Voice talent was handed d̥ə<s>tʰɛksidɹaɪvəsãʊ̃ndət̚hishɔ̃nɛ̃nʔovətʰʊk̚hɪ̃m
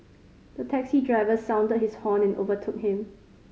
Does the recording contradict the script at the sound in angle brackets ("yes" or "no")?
yes